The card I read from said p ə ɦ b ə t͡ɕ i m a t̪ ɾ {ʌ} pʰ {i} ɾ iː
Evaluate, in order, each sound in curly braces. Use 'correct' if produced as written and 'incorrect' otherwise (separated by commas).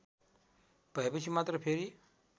incorrect, incorrect